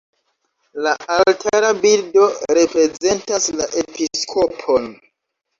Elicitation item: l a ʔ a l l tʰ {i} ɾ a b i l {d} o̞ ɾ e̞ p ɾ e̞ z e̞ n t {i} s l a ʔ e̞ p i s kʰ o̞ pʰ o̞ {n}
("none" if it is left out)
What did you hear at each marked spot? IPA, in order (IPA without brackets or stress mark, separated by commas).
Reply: a, d, a, n